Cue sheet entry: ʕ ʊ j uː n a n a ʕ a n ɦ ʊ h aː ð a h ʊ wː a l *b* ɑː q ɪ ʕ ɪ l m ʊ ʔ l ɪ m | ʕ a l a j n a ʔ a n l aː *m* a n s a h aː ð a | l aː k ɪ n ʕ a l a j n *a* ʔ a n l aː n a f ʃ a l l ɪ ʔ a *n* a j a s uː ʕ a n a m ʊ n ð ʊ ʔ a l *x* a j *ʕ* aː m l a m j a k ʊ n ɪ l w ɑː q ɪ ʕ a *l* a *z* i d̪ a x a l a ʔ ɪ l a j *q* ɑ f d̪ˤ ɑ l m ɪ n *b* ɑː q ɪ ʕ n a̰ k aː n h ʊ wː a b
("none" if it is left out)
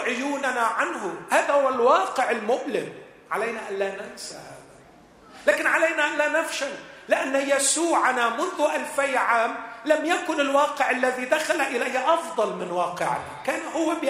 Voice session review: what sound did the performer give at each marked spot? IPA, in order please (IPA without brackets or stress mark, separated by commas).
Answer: w, n, a, nː, f, ʕ, lː, ð, ʔ, w